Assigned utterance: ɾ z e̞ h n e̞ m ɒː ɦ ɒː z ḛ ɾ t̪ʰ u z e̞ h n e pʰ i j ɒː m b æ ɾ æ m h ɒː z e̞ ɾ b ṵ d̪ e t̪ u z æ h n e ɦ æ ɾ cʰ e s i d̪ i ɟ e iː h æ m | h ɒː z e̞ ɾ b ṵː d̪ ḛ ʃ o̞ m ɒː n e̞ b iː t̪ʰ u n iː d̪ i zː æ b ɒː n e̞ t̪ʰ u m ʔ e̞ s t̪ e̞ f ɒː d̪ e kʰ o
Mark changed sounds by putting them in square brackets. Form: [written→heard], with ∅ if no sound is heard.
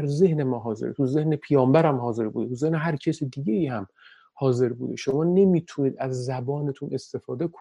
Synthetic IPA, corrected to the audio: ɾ z e̞ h n e̞ m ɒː ɦ ɒː z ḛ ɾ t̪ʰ u z e̞ h n e pʰ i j ɒː m b æ ɾ æ m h ɒː z e̞ ɾ b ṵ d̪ e t̪ u z [æ→e] h n e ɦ æ ɾ cʰ e s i d̪ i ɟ e iː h æ m | h ɒː z e̞ ɾ b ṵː d̪ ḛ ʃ o̞ m ɒː n e̞ [b→m] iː t̪ʰ u n iː d̪ [i→æ] zː æ b ɒː n e̞ t̪ʰ u [m→n] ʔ e̞ s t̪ e̞ f ɒː d̪ e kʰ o